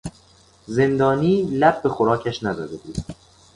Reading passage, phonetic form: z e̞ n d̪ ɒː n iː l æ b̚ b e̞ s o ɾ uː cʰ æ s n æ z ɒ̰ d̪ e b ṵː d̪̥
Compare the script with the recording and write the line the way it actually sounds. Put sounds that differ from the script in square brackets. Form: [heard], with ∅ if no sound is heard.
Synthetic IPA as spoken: z e̞ n d̪ ɒː n iː l æ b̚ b e̞ [x] o ɾ [ɒː] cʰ æ [ʃ] n æ z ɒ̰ d̪ e b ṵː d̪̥